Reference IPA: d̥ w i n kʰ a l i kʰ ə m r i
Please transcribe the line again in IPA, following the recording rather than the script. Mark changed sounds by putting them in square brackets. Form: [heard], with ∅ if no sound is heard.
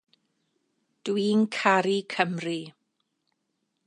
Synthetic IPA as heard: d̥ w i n kʰ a [ɾ] i kʰ ə m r i